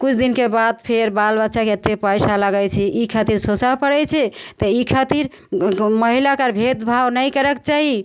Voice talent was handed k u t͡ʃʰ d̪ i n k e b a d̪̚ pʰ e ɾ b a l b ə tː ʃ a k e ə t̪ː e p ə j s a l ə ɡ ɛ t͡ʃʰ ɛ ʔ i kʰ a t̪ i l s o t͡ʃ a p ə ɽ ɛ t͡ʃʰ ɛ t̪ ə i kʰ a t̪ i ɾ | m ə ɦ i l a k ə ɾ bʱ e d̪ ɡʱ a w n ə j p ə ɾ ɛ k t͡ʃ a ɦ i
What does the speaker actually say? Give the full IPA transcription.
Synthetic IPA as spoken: k u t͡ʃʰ d̪ i n k e b a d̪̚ pʰ e ɾ b a l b ə tː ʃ a k e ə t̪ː e p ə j s a l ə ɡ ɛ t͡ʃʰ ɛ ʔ i kʰ a t̪ i ɾ s o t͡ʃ a p ə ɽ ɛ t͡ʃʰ ɛ t̪ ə i kʰ a t̪ i ɾ | m ə ɦ i l a k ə ɾ bʱ e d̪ bʱ a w n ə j k ə ɾ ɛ k t͡ʃ a ɦ i